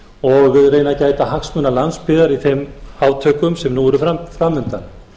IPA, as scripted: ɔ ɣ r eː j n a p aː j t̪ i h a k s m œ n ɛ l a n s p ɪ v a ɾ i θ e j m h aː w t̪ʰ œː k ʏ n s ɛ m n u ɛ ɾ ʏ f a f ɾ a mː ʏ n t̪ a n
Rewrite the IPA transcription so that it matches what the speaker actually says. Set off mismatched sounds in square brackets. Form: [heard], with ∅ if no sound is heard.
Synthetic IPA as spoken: ɔ ɣ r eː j n a [c] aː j t̪ [a] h a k s m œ n [a] l a n s p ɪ [ð] a ɾ i θ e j m h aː w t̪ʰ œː k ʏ [m] s ɛ m n u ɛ ɾ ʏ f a f ɾ a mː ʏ n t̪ a n